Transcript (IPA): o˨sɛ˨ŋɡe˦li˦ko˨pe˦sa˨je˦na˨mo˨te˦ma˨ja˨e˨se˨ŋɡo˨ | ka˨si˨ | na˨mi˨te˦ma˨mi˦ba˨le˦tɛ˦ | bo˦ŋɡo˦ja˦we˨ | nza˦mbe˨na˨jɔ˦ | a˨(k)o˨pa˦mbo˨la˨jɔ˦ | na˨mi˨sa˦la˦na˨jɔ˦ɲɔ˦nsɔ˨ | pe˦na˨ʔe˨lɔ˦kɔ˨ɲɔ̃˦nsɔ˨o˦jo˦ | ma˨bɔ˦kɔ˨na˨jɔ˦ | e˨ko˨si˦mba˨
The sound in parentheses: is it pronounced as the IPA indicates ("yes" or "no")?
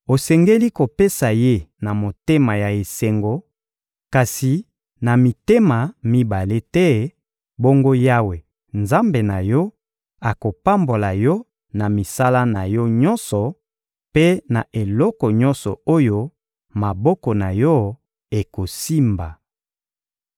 yes